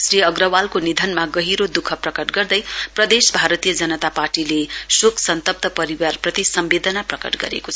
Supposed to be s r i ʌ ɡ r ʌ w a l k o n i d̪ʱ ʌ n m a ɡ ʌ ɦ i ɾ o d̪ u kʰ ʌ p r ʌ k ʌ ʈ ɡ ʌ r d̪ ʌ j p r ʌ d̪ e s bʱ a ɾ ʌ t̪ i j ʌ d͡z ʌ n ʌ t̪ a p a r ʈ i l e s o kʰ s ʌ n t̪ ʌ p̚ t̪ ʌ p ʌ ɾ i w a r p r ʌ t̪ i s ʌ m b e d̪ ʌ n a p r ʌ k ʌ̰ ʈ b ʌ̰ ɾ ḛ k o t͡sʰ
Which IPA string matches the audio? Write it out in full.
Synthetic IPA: s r i ʌ ɡ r ʌ w a l k o n i d̪ʱ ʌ n m a ɡ ʌ ɦ i ɾ o d̪ u kʰ ʌ p r ʌ k ʌ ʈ ɡ ʌ r d̪ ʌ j p r ʌ d̪ e s bʱ a ɾ ʌ t̪ i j ʌ d͡z ʌ n ʌ t̪ a p a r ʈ i l e s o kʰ s ʌ n t̪ ʌ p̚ t̪ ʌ p ʌ ɾ i w a r p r ʌ t̪ i s ʌ m b e d̪ ʌ n a p r ʌ k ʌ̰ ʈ ɡ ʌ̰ ɾ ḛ k o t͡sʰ